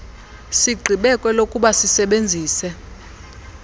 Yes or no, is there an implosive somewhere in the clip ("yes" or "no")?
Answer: yes